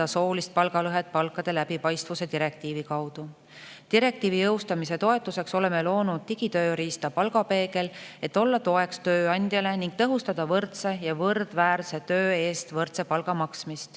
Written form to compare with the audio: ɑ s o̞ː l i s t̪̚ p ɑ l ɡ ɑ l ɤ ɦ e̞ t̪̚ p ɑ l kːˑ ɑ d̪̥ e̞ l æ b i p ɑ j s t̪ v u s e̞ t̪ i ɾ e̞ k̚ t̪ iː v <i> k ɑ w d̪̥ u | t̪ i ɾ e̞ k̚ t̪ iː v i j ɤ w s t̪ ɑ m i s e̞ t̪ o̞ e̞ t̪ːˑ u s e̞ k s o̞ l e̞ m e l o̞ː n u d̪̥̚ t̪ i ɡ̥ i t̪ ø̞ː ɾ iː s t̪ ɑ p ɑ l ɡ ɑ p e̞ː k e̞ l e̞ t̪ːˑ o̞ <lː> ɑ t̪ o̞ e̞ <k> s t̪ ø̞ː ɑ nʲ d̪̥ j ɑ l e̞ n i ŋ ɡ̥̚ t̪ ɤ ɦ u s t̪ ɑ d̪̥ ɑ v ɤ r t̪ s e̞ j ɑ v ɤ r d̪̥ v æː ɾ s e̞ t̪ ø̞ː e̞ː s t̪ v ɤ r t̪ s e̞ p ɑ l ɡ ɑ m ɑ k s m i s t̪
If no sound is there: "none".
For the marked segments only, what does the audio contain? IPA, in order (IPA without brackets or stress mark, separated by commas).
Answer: i, lː, k